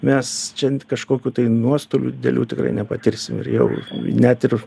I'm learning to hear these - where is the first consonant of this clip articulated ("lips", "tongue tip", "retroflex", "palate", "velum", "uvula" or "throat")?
lips